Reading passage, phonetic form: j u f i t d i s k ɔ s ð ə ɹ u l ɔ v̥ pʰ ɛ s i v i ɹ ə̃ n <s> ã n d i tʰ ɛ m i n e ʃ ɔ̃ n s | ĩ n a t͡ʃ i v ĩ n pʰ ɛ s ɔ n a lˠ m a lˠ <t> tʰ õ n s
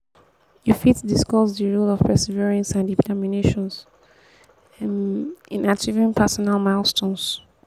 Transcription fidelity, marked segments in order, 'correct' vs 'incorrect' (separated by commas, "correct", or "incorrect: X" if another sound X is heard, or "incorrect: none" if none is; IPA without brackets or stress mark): correct, incorrect: s